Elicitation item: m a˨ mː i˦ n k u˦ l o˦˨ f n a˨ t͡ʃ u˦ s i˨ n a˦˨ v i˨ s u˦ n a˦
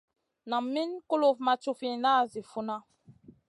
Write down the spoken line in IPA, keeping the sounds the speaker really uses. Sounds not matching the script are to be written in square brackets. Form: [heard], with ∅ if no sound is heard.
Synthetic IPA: [n] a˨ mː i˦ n k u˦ l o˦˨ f [m] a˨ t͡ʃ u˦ [f] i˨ n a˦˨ [z] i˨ [f] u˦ n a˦